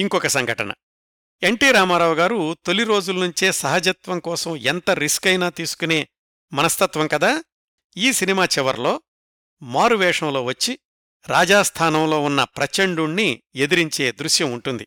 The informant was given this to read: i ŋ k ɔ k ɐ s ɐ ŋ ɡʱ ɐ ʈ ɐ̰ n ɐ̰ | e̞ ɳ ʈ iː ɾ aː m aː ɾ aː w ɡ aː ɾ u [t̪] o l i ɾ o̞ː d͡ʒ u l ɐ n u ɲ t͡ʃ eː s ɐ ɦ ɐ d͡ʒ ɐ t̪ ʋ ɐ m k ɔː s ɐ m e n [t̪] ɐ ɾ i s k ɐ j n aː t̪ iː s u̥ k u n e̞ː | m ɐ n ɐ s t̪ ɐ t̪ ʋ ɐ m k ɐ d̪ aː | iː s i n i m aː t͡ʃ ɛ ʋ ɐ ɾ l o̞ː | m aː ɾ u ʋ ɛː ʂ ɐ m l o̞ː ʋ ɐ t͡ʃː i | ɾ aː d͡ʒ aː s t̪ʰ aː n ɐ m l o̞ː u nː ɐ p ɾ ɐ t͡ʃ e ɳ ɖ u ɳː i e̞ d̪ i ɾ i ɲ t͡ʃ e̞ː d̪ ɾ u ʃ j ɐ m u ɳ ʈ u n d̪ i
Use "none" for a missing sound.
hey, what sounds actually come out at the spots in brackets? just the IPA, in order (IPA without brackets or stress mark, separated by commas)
t̪, t̪